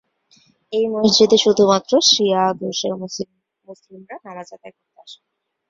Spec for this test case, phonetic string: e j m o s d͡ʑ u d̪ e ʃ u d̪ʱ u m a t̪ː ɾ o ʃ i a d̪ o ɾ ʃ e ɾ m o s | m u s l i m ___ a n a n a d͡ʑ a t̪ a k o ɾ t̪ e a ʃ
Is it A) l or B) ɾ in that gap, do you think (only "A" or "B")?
B